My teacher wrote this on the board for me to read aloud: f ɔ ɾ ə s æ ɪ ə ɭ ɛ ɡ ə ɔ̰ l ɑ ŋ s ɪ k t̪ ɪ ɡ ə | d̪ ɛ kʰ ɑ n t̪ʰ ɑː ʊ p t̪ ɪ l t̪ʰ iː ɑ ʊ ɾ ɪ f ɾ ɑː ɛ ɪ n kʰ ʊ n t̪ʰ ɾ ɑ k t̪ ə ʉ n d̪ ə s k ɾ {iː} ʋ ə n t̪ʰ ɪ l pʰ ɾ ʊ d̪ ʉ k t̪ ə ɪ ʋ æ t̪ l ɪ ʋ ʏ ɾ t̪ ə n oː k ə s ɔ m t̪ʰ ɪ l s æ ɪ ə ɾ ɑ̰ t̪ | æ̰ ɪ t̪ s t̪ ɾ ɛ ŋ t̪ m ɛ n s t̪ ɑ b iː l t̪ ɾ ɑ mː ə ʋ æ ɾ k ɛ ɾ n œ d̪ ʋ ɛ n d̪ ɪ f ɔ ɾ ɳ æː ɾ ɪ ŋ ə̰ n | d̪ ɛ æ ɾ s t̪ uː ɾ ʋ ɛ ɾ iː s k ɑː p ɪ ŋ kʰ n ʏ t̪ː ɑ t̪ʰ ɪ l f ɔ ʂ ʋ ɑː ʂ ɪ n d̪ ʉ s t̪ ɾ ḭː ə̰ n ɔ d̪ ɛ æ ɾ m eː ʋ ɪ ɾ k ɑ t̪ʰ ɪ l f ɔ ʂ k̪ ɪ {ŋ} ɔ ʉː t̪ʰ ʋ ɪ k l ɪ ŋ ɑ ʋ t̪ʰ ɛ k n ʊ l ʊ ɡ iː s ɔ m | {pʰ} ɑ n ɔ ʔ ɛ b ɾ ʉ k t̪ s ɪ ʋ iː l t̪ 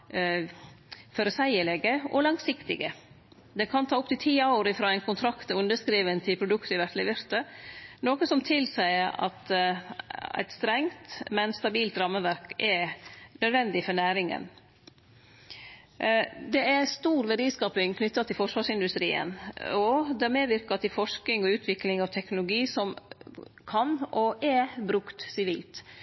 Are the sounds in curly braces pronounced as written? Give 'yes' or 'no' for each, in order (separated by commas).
yes, yes, no